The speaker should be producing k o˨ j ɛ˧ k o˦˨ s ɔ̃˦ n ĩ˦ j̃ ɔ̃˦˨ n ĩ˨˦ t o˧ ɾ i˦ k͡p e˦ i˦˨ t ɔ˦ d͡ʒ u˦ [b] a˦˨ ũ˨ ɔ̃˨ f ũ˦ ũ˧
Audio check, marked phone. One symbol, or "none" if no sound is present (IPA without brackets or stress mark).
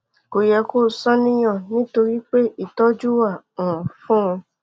w